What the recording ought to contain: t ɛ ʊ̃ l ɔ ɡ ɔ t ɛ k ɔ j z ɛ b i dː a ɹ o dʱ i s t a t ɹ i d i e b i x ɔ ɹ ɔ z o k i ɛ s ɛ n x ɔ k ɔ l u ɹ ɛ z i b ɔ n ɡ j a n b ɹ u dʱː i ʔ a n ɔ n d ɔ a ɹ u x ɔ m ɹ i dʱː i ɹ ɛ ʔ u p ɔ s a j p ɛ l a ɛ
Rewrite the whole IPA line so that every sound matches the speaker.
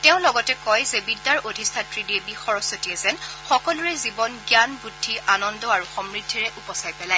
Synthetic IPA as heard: t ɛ ʊ̃ l ɔ ɡ ɔ t ɛ k ɔ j z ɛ b i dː a ɹ o dʱ i s tʰ a t ɹ i d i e b i x ɔ ɹ ɔ s o t i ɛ z ɛ n x ɔ k ɔ l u ɹ ɛ z i b ɔ n ɡ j a n b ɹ u dʱː i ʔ a n ɔ n d ɔ a ɹ u x ɔ m ɹ i dʱː i ɹ ɛ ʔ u p ɔ s a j p ɛ l a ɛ